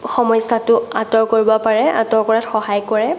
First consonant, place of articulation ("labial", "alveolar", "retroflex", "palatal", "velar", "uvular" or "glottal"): velar